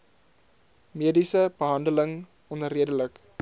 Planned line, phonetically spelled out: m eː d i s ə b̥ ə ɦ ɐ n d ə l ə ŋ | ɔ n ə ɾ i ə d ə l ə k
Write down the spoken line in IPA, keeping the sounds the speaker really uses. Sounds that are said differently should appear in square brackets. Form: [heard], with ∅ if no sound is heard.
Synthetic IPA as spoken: m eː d i s ə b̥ ə ɦ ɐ n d ə l ə ŋ | ɔ n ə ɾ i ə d ə l ə k